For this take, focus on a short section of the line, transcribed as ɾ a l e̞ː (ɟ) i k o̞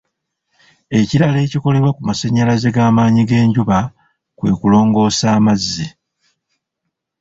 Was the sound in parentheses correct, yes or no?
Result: no